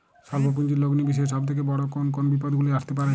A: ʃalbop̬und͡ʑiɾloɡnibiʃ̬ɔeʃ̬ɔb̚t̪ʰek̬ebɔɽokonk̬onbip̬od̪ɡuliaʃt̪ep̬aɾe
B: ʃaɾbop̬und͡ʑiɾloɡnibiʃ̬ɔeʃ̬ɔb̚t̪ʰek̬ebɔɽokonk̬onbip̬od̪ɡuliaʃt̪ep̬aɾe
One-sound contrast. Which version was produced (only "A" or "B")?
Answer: A